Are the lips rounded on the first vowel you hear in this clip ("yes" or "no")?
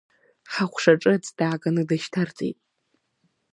no